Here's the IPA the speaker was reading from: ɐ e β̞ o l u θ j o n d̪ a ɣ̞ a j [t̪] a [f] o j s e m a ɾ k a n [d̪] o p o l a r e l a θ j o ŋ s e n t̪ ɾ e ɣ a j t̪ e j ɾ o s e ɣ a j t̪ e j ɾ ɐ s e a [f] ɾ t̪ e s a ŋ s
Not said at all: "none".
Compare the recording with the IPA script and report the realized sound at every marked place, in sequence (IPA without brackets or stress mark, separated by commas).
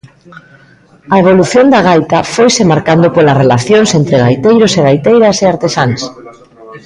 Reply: t̪, f, d̪, none